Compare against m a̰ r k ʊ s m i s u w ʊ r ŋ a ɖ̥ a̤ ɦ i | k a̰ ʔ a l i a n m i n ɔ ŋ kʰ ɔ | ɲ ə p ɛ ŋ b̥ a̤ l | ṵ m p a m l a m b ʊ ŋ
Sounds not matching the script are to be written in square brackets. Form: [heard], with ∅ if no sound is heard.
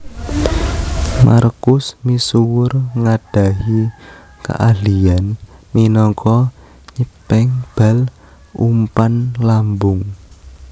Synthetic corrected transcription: m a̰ r k ʊ s m i s u w ʊ r ŋ a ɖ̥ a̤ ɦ i | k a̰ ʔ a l i a n m i n ɔ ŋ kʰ ɔ | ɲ ə p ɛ ŋ b̥ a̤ l | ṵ m p a [n] l a m b ʊ ŋ